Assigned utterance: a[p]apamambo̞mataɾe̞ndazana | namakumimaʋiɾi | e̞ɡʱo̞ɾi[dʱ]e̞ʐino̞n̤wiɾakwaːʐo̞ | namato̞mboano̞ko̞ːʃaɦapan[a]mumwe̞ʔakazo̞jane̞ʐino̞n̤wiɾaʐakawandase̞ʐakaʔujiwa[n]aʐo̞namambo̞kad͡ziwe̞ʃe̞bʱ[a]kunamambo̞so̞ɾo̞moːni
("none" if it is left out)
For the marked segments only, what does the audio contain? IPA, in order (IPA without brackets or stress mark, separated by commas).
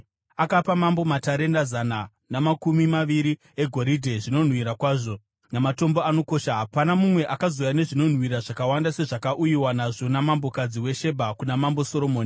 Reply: k, dʱ, a, n, a